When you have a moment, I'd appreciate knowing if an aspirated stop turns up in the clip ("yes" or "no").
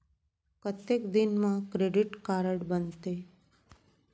no